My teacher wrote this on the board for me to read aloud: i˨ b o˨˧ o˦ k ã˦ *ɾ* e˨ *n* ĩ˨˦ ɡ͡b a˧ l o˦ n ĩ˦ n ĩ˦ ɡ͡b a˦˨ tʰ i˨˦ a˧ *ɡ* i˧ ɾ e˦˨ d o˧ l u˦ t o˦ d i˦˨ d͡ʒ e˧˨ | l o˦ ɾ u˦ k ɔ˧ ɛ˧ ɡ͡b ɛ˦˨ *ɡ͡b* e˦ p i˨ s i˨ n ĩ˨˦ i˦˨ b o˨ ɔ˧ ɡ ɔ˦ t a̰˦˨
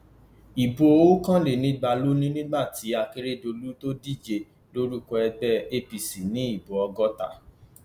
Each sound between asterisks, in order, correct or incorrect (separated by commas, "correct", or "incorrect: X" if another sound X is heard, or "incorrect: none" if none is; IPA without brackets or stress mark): incorrect: l, correct, incorrect: k, incorrect: none